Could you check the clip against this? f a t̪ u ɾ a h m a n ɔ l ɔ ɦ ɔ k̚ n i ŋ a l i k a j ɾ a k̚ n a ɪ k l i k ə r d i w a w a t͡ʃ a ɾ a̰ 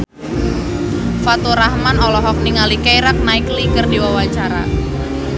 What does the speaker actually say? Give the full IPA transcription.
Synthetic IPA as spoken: f a t̪ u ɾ a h m a n ɔ l ɔ ɦ ɔ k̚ n i ŋ a l i k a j ɾ a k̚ n a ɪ k l i k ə r d i w a w a t͡ʃ a ɾ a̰